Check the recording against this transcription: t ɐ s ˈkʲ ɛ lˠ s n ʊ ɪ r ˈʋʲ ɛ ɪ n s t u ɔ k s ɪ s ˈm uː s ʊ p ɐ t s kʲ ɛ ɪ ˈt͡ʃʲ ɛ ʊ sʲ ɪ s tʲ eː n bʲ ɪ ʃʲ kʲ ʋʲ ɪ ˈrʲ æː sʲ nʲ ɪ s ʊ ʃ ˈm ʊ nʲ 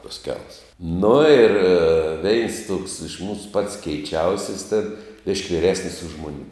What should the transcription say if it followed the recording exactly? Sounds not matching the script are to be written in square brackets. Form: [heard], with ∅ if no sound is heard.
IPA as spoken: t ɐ s ˈkʲ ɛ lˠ s n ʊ ɪ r ˈʋʲ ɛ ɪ n s t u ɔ k s ɪ [ʃ] ˈm uː s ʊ p ɐ t s kʲ ɛ ɪ ˈt͡ʃʲ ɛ ʊ sʲ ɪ s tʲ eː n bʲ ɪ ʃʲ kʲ ʋʲ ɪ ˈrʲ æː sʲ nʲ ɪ s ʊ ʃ ˈm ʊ nʲ